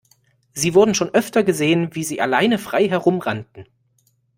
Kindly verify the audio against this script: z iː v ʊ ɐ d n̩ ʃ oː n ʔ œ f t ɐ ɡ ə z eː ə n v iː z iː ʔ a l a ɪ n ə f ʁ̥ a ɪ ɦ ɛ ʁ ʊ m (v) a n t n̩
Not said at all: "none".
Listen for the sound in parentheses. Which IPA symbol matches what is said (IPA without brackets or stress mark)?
ʁ